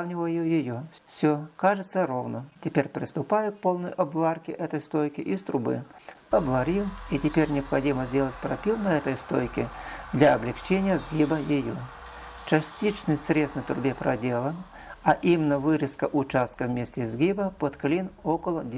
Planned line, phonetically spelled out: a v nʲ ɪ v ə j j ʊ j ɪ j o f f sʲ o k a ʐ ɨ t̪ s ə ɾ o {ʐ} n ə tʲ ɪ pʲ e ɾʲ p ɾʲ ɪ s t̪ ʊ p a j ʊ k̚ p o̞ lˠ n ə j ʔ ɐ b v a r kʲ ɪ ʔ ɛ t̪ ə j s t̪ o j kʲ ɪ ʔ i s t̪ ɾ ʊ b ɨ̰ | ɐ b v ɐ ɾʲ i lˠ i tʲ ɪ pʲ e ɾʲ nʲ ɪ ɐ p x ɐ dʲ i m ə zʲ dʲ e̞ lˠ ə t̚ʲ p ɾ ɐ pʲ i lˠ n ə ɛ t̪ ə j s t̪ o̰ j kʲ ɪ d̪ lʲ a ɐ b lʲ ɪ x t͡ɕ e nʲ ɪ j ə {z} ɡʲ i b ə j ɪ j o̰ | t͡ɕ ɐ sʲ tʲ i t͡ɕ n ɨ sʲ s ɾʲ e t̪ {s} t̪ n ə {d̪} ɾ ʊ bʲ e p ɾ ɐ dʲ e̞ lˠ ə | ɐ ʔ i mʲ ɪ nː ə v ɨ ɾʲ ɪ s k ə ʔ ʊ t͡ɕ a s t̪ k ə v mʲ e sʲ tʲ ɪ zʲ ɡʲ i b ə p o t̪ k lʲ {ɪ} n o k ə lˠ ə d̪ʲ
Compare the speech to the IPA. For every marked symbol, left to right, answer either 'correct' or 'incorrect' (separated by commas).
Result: incorrect, correct, correct, incorrect, incorrect